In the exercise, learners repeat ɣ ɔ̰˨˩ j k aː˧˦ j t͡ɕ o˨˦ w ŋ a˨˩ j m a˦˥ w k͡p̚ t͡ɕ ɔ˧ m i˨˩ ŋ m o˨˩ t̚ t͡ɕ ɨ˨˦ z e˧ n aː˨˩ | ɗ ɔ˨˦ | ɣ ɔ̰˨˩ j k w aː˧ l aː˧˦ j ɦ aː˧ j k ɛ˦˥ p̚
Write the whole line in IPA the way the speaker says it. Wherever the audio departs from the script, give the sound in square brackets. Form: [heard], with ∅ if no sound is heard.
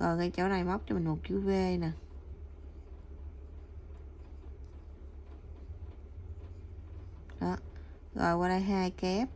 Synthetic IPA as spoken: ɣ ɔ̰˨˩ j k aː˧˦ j t͡ɕ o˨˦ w [n] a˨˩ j m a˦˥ w k͡p̚ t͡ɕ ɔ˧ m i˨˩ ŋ m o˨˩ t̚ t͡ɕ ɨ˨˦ [v] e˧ n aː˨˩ | ɗ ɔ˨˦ | ɣ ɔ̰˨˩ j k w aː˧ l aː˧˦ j ɦ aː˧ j k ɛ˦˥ p̚